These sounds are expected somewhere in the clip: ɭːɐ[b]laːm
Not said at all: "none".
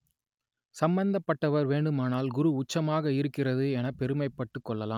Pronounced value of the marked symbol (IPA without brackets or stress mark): none